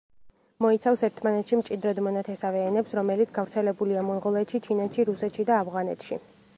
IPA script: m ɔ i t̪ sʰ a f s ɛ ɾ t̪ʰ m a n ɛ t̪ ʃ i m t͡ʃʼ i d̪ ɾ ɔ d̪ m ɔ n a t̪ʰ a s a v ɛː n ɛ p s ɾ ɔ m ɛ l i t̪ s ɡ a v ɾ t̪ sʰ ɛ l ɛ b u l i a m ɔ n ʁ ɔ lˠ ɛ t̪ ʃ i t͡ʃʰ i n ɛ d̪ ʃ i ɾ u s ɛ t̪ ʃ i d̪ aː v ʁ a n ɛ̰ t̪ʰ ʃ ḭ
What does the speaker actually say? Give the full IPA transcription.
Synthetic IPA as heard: m ɔ i t̪ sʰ a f s ɛ ɾ t̪ʰ m a n ɛ t̪ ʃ i m t͡ʃʼ i d̪ ɾ ɔ d̪ m ɔ n a t̪ʰ ɛ s a v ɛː n ɛ p s ɾ ɔ m ɛ l i t̪ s ɡ a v ɾ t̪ sʰ ɛ l ɛ b u l i a m ɔ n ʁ ɔ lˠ ɛ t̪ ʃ i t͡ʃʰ i n ɛ t̪ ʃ i ɾ u s ɛ t̪ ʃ i d̪ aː v ʁ a n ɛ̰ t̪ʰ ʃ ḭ

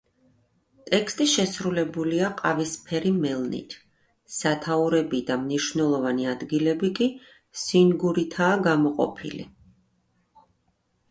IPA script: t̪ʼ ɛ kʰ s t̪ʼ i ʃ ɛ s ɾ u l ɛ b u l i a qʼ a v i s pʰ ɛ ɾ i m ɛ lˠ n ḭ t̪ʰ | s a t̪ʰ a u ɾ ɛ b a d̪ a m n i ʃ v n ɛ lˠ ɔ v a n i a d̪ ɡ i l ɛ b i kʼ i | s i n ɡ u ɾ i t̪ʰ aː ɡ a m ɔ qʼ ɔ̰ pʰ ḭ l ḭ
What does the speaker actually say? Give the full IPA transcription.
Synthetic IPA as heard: t̪ʼ ɛ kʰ s t̪ʼ i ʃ ɛ s ɾ u l ɛ b u l i a qʼ a v i s pʰ ɛ ɾ i m ɛ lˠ n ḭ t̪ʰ | s a t̪ʰ a u ɾ ɛ b i d̪ a m n i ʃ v n ɛ lˠ ɔ v a n i a d̪ ɡ i l ɛ b i kʼ i | s i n ɡ u ɾ i t̪ʰ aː ɡ a m ɔ qʼ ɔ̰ pʰ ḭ l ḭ

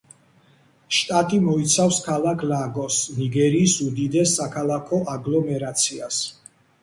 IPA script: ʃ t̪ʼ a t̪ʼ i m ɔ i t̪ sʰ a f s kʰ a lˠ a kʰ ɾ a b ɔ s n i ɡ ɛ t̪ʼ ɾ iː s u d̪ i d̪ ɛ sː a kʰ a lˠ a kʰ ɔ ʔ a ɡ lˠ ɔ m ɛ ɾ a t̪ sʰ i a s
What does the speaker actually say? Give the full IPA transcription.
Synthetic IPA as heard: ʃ t̪ʼ a t̪ʼ i m ɔ i t̪ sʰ a f s kʰ a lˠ a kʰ l a ɡ ɔ s n i ɡ ɛ ɾ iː s u d̪ i d̪ ɛ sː a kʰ a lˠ a kʰ ɔ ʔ a ɡ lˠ ɔ m ɛ ɾ a t̪ sʰ i a s

